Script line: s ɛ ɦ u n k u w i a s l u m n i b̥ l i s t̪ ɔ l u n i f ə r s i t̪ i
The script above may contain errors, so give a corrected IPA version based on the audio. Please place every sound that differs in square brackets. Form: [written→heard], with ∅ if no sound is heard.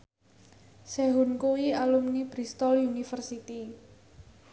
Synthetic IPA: s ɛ ɦ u n k u w i a [s→∅] l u m n i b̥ [l→ɾ] i s t̪ ɔ l u n i f ə r s i t̪ i